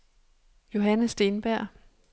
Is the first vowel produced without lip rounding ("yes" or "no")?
no